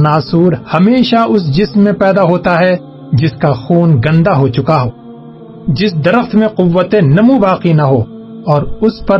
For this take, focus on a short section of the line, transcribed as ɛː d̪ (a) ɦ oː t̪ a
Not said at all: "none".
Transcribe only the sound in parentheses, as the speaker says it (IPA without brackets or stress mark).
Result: a